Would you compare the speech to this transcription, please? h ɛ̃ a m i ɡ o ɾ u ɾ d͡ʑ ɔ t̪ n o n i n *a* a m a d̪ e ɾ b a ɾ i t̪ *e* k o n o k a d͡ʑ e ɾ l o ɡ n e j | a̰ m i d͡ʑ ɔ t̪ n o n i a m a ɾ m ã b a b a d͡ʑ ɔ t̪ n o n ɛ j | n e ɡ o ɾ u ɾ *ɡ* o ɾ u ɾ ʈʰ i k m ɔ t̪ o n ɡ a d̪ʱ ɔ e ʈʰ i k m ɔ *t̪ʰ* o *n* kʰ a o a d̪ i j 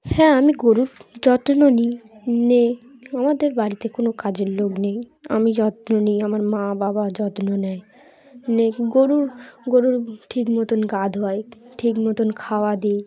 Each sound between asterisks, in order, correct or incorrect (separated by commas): incorrect, correct, correct, incorrect, correct